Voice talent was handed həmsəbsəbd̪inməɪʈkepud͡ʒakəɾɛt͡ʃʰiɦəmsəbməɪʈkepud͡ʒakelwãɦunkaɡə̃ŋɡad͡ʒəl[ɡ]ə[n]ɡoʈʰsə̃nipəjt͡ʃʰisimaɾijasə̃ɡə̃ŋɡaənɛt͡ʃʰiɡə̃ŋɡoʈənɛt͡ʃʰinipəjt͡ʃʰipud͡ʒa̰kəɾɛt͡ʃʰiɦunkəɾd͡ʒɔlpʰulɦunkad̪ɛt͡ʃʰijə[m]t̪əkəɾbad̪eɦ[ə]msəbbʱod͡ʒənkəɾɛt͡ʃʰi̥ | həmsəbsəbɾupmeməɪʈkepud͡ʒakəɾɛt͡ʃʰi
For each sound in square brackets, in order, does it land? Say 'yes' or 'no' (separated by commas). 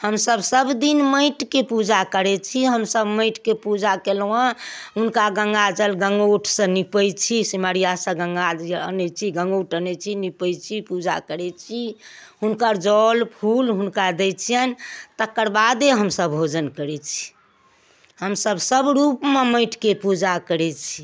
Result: yes, no, no, yes